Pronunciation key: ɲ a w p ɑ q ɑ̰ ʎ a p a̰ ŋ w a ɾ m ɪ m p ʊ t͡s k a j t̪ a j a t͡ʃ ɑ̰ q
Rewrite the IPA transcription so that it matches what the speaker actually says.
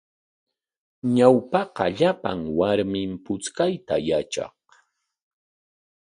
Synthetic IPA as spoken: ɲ a w p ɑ q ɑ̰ ʎ a p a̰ ŋ w a ɾ m ɪ m p ʊ t͡s k a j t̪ a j a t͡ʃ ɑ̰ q